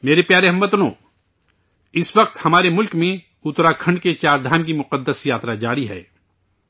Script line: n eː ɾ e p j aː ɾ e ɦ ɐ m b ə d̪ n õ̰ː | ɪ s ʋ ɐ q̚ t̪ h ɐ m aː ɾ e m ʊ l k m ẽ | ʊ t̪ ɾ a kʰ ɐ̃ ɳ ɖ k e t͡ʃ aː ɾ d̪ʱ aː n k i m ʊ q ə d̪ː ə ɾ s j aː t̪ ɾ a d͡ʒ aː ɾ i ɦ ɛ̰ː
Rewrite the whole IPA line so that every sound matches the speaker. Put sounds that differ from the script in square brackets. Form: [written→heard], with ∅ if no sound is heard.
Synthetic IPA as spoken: [n→m] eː ɾ e p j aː ɾ e ɦ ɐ m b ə [d̪→t̪] n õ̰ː | ɪ s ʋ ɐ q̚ t̪ h ɐ m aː ɾ e m ʊ l k m ẽ | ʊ t̪ ɾ a kʰ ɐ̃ ɳ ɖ k e t͡ʃ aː ɾ d̪ʱ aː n k i m ʊ q ə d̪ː ə [ɾ→∅] s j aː t̪ ɾ a d͡ʒ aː ɾ i ɦ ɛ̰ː